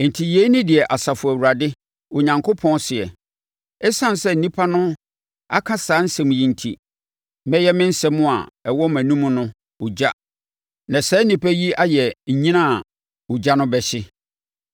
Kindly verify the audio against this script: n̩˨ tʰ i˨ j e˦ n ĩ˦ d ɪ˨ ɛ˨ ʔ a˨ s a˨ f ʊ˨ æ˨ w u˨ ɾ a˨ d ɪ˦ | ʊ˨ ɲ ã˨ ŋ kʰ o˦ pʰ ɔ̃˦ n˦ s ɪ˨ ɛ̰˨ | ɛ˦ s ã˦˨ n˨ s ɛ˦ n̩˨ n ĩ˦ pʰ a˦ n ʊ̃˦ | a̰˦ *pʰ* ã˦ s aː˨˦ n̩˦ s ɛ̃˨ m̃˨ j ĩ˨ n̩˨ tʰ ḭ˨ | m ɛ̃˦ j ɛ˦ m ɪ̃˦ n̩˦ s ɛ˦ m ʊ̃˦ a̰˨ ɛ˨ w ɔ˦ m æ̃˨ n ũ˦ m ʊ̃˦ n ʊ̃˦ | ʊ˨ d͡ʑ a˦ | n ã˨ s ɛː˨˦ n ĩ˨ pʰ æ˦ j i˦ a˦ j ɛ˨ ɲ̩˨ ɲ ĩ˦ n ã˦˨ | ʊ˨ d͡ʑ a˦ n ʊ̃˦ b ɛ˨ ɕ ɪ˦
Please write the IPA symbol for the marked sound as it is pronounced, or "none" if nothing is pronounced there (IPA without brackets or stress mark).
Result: kʰ